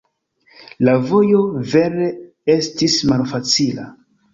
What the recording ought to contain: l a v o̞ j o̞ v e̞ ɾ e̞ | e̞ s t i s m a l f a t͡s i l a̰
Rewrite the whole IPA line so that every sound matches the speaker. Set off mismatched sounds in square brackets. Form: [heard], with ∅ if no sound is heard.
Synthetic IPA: l a v o̞ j o̞ v e̞ ɾ e̞ | e̞ s t i s m a l f a t͡s i l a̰